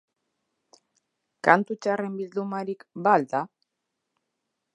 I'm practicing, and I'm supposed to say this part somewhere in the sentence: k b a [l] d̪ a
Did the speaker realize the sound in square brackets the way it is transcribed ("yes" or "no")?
yes